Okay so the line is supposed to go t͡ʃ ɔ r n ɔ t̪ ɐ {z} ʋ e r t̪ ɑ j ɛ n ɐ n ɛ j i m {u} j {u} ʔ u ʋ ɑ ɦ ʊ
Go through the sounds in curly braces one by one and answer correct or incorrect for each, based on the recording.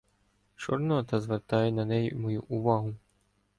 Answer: correct, incorrect: ɔ, correct

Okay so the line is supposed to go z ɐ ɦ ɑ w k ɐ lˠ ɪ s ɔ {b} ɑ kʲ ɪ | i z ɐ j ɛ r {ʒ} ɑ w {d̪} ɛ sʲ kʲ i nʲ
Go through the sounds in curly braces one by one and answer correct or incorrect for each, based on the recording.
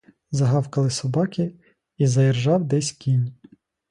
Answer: correct, correct, correct

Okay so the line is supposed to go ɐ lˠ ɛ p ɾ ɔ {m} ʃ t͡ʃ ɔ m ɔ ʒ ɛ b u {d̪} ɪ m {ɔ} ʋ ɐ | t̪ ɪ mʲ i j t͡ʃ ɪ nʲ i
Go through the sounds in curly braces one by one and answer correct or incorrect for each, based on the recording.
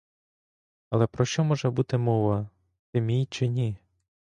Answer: incorrect: none, incorrect: t̪, correct

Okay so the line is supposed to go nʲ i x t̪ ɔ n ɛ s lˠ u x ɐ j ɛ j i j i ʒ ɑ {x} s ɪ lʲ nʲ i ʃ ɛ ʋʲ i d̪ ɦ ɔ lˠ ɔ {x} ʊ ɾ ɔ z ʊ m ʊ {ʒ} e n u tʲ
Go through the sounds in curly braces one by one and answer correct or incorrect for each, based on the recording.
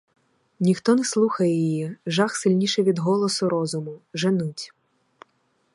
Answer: correct, incorrect: s, correct

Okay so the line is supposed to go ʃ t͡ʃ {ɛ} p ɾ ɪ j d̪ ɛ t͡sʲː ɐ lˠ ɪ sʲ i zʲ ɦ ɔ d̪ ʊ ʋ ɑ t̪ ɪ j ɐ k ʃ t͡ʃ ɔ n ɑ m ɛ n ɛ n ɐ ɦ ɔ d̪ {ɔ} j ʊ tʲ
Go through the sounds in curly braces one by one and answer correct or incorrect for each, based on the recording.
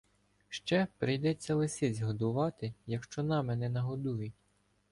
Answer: correct, incorrect: u

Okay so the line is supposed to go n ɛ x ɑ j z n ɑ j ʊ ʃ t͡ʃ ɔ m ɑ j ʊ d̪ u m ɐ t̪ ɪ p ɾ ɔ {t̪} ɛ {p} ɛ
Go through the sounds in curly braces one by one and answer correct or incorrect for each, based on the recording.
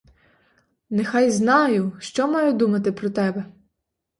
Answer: correct, incorrect: b

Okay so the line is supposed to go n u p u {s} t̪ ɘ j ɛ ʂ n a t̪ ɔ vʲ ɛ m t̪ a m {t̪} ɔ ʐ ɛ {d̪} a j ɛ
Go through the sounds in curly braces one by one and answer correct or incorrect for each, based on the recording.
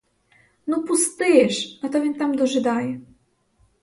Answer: correct, incorrect: d̪, correct

